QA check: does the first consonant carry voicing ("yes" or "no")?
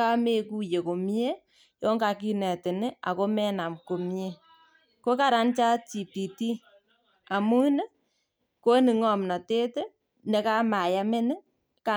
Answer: yes